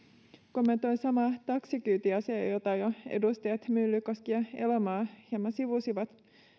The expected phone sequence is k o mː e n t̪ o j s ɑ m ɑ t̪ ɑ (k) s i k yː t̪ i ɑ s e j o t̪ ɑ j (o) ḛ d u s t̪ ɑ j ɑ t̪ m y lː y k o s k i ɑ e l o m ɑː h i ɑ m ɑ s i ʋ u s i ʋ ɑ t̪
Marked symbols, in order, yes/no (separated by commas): yes, yes